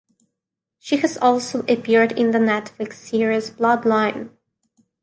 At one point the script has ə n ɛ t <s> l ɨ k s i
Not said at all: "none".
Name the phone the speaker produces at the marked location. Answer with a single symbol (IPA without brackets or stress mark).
f